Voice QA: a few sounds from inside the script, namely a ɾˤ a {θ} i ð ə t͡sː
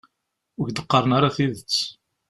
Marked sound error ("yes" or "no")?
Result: no